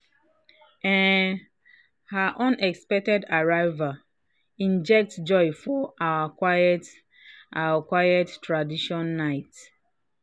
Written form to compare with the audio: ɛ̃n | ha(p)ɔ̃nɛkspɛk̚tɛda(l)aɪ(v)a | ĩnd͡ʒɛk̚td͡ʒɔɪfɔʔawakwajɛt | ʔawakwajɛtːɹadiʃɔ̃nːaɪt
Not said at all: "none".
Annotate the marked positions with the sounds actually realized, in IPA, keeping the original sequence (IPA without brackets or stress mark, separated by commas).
ʔ, ɹ, v